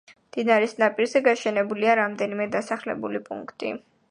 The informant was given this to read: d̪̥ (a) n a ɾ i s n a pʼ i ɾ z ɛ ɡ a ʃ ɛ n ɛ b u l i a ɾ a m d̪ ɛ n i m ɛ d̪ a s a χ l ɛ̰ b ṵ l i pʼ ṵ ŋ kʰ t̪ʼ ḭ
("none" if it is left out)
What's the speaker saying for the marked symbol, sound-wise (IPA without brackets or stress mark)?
i